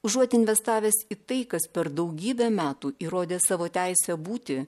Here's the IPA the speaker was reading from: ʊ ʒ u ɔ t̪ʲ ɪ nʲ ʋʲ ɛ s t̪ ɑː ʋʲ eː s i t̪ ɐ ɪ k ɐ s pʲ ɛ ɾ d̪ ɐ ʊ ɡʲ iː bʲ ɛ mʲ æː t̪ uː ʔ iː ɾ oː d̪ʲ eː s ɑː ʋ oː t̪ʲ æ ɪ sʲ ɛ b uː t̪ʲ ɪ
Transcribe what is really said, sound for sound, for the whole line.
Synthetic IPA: ʊ ʒ u ɔ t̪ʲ ɪ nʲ ʋʲ ɛ s t̪ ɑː ʋʲ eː s i t̪ ɐ ɪ k ɐ s pʲ ɛ ɾ d̪ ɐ ʊ ɡʲ iː bʲ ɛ mʲ æː t̪ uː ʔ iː ɾ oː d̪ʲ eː s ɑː ʋ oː t̪ʲ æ ɪ sʲ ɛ b uː t̪ʲ ɪ